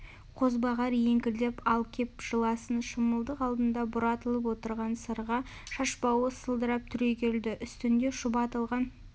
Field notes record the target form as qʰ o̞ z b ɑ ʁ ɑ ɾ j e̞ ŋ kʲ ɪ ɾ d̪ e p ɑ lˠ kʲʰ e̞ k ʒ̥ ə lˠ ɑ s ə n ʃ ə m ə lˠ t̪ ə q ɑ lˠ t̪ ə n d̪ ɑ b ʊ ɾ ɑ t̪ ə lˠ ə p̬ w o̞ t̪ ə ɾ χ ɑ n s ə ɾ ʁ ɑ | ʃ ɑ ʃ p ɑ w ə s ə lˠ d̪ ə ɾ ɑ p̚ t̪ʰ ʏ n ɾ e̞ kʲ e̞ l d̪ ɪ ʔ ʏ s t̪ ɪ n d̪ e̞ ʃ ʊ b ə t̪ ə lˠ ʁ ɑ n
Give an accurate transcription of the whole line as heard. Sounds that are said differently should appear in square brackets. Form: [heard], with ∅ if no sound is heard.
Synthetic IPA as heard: qʰ o̞ z b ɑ ʁ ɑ ɾ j e̞ ŋ kʲ ɪ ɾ d̪ e p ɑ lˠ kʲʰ e̞ [p] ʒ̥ ə lˠ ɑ s ə n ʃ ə m ə lˠ [d̪] ə q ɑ lˠ [d̪] ə n d̪ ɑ b ʊ ɾ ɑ t̪ ə lˠ ə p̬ w o̞ t̪ ə ɾ [ʁ] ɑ n s ə ɾ ʁ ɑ | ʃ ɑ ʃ p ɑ w ə s ə lˠ d̪ ə ɾ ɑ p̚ t̪ʰ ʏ [∅] ɾ e̞ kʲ e̞ l d̪ ɪ ʔ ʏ s t̪ ɪ n d̪ e̞ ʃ ʊ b [ɑ] t̪ ə lˠ ʁ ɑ n